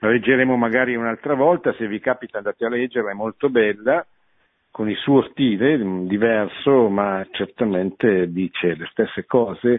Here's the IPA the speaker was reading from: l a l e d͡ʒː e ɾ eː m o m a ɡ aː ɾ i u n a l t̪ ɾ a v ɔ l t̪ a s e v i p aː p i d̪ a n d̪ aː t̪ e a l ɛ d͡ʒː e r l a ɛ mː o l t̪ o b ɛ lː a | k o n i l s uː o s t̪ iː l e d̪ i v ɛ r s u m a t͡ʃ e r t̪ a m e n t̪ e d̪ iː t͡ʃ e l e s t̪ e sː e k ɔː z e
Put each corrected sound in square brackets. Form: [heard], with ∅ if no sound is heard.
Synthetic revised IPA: l a l e d͡ʒː e ɾ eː m o m a ɡ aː ɾ i u n a l t̪ ɾ a v ɔ l t̪ a s e v i [k] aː p i [t̪] a n d̪ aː t̪ e a l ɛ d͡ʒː e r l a ɛ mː o l t̪ o b ɛ lː a | k o n i l s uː o s t̪ iː l e d̪ i v ɛ r s [o] m a t͡ʃ e r t̪ a m e n t̪ e d̪ iː t͡ʃ e l e s t̪ e sː e k ɔː z e